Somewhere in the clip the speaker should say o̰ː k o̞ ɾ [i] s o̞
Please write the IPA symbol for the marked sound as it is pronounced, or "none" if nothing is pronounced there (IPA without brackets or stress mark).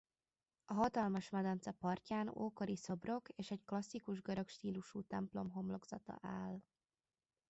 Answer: i